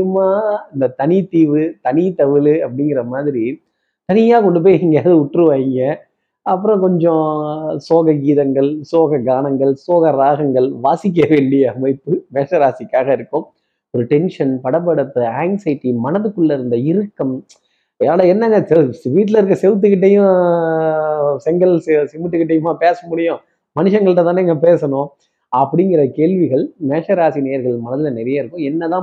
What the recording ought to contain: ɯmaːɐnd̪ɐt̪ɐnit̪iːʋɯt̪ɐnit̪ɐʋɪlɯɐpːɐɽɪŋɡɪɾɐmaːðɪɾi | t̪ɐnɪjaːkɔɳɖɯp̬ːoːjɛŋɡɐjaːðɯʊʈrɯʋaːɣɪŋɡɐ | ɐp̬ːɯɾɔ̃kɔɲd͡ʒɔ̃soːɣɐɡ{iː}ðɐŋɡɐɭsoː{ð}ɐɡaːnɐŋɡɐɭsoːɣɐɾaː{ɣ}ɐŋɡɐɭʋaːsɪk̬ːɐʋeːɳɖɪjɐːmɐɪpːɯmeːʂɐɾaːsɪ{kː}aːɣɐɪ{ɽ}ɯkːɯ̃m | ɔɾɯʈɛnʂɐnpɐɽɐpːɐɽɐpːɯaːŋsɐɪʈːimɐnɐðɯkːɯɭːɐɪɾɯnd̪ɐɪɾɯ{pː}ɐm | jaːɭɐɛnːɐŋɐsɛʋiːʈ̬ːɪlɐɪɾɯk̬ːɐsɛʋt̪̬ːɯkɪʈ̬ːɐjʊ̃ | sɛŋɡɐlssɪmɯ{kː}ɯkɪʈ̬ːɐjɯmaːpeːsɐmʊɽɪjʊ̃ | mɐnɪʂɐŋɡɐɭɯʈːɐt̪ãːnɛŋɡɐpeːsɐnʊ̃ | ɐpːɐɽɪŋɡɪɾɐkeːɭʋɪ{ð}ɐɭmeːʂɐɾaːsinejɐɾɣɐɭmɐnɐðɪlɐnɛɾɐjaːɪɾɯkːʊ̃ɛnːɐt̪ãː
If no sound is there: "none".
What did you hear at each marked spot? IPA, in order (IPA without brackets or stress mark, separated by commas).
iː, ɣ, ɣ, kː, ɾ, kː, ʈː, ɣ